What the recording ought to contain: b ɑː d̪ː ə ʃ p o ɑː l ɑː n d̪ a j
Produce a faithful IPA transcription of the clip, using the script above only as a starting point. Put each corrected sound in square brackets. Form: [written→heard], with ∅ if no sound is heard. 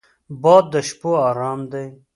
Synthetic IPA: b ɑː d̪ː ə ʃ p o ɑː [l→ɾ] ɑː [n→m] d̪ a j